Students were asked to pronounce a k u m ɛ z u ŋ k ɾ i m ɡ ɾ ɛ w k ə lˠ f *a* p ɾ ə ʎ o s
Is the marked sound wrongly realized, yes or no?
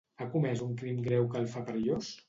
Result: no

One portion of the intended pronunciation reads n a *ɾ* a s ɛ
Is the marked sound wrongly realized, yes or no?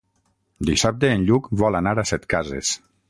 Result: no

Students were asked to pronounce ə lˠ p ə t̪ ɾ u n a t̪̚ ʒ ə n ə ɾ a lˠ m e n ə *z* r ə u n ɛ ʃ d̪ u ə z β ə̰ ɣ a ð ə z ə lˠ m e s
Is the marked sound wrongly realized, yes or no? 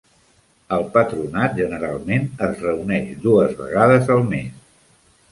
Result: no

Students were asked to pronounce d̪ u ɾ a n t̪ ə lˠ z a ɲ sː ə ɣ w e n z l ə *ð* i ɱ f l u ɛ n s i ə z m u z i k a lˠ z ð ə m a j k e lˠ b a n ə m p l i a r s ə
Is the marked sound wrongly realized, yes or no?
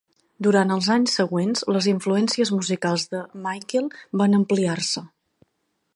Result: yes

